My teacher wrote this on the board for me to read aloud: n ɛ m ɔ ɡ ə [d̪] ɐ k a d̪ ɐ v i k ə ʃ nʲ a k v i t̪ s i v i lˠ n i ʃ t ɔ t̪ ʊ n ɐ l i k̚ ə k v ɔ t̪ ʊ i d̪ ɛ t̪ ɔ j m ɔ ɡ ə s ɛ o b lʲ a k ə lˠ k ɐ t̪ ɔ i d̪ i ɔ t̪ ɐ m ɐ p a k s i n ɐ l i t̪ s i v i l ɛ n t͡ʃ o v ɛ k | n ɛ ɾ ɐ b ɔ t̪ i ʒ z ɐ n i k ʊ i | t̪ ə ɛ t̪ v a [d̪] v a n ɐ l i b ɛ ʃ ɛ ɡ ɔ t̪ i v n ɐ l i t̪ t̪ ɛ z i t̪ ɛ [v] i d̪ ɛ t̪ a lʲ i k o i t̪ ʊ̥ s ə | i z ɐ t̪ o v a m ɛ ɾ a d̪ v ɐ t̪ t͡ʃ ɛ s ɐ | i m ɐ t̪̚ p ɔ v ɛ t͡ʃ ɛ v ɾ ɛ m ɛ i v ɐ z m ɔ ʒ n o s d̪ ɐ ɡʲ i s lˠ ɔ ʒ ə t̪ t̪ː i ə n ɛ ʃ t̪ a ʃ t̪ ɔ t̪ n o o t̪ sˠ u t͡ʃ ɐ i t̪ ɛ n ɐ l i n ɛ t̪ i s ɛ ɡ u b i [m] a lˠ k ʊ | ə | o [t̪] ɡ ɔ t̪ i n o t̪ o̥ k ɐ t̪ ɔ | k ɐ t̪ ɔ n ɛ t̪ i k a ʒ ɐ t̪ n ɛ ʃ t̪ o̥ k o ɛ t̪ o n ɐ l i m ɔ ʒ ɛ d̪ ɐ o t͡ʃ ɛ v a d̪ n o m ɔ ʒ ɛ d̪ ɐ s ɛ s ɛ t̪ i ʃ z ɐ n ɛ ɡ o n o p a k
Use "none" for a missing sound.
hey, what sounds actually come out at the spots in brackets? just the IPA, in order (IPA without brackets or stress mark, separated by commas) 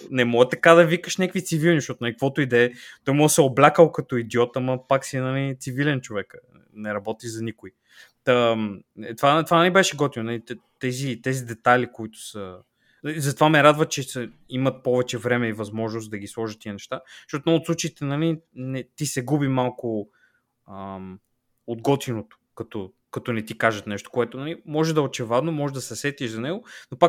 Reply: t̪, t̪, z, m, d̪